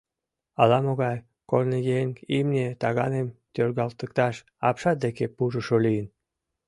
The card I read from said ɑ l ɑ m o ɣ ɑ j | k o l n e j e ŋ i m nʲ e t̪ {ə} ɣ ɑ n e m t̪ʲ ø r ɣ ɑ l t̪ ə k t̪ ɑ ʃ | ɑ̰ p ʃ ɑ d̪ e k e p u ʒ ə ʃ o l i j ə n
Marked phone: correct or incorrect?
incorrect